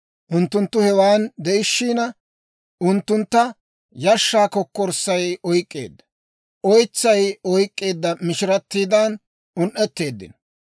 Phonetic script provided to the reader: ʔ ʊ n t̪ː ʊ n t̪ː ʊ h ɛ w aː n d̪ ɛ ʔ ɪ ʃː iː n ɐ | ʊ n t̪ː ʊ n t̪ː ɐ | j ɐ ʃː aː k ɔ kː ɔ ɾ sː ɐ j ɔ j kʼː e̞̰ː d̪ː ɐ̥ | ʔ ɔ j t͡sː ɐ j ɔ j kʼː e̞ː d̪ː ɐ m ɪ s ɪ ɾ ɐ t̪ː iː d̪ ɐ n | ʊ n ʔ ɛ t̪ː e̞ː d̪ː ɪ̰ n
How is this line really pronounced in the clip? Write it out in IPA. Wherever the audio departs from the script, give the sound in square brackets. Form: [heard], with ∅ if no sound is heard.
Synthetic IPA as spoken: ʔ ʊ n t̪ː ʊ n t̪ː ʊ h ɛ w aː n d̪ ɛ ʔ ɪ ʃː iː n ɐ | ʊ n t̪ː ʊ n t̪ː ɐ | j ɐ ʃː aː k ɔ kː ɔ ɾ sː ɐ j ɔ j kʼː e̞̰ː d̪ː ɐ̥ | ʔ ɔ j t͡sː ɐ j ɔ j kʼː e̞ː d̪ː ɐ m ɪ [ʃ] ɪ ɾ ɐ t̪ː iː d̪ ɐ n | ʊ n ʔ ɛ t̪ː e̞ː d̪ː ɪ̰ n